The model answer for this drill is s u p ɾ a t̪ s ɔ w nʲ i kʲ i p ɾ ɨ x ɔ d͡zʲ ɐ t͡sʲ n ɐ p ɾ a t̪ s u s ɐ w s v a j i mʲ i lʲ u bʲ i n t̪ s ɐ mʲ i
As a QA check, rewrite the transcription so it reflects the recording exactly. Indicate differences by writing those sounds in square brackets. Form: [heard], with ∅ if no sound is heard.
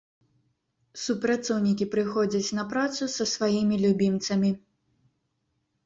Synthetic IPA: s u p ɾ a t̪ s ɔ w nʲ i kʲ i p ɾ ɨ x ɔ d͡zʲ ɐ t͡sʲ n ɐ p ɾ a t̪ s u s ɐ [∅] s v a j i mʲ i lʲ u bʲ i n t̪ s ɐ mʲ i